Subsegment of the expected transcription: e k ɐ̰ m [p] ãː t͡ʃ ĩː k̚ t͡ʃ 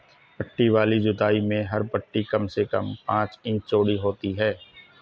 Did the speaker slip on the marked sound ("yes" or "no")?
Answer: no